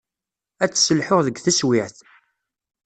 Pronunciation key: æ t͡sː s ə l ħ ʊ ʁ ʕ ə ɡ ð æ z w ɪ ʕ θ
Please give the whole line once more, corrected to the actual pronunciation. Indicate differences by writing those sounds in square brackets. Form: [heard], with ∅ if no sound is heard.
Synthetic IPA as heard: æ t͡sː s ə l ħ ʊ ʁ [ð] ə ɡ [θ] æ [s] w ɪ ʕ θ